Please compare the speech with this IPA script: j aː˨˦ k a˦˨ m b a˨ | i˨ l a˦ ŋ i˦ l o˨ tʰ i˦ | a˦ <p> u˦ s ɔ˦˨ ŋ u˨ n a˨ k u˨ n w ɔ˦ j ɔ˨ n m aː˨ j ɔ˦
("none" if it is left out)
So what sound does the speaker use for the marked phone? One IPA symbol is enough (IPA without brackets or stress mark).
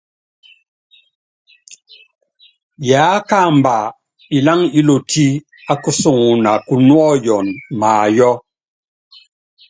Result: k